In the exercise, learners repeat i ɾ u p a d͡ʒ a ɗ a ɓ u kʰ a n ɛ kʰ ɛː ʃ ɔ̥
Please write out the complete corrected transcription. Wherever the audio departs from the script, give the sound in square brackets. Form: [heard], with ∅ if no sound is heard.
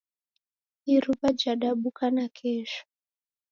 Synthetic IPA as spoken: i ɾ u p a d͡ʒ a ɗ a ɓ u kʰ a n [a] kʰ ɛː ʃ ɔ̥